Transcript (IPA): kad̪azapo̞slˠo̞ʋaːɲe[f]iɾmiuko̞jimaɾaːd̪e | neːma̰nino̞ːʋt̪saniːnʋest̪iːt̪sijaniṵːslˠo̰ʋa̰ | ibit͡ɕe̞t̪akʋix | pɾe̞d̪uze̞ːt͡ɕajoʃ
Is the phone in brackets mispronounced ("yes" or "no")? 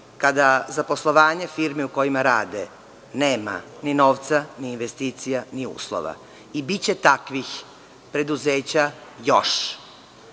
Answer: no